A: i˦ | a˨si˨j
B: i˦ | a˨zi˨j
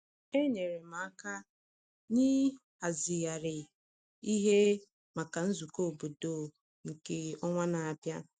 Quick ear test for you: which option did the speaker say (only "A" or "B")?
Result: B